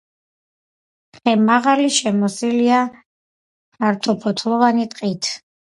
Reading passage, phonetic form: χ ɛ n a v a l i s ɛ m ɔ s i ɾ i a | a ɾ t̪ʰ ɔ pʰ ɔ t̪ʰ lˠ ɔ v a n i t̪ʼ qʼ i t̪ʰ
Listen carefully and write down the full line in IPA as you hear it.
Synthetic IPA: χ ɛ m a ʁ a l i ʃ ɛ m ɔ s i l i a | a ɾ t̪ʰ ɔ pʰ ɔ t̪ʰ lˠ ɔ v a n i t̪ʼ qʼ i t̪ʰ